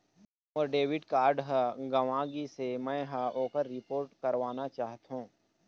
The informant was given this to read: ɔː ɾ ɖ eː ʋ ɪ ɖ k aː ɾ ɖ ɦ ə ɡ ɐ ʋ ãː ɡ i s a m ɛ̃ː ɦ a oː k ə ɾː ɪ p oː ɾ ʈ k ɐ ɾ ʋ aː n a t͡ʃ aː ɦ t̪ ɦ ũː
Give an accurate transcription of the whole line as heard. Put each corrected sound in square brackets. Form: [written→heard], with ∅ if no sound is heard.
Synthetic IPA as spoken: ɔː ɾ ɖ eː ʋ ɪ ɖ k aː ɾ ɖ ɦ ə ɡ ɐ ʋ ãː ɡ i s [a→e] m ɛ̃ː ɦ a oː k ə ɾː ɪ p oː ɾ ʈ k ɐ ɾ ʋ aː n a t͡ʃ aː ɦ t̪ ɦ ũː